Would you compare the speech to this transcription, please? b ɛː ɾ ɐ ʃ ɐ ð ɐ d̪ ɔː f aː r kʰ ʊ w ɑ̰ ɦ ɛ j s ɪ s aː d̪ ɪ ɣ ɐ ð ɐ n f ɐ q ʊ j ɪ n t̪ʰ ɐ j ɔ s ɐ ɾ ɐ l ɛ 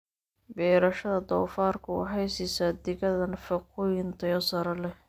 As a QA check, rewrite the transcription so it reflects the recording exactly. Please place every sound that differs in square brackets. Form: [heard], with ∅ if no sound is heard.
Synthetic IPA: b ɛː ɾ ɐ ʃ ɐ ð ɐ d̪ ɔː f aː r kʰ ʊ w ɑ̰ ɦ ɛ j s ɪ s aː d̪ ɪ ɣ ɐ ð ɐ n f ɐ q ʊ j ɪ n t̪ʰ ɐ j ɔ s ɐ ɾ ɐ l ɛ